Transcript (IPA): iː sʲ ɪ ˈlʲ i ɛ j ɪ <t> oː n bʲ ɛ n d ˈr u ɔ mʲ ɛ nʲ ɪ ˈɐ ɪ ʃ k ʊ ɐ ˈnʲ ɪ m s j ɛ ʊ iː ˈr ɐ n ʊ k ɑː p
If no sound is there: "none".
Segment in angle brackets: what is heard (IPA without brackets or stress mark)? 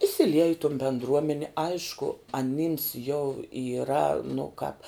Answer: t